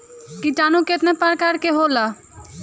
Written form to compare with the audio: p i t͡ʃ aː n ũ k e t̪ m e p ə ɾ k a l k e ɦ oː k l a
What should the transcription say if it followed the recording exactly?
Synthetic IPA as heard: k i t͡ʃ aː n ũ k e t̪ n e p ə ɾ k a ɾ k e ɦ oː l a